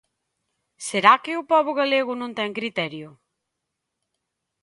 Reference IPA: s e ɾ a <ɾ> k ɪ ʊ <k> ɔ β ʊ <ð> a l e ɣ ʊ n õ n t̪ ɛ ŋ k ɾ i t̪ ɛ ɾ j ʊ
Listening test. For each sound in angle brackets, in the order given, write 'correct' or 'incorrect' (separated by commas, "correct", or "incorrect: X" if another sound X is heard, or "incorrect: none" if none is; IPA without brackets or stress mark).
incorrect: none, incorrect: p, incorrect: ɣ